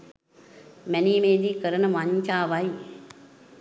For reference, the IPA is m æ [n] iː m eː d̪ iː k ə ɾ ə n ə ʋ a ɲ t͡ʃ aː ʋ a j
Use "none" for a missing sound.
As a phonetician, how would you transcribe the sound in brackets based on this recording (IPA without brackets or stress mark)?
n